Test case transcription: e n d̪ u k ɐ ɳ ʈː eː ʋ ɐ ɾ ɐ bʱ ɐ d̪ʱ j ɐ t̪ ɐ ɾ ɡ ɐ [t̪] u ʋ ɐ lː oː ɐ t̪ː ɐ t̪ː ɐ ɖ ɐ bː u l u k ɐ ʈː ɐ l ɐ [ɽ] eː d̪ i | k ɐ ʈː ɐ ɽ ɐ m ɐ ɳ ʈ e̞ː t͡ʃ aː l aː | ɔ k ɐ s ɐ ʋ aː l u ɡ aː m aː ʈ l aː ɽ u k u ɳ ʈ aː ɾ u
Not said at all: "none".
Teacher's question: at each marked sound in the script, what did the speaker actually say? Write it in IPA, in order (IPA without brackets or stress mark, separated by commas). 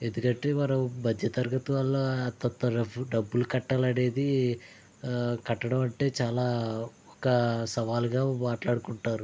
t̪, ɽ